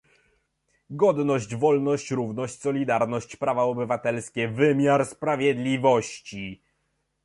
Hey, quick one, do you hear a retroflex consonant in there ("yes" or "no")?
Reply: no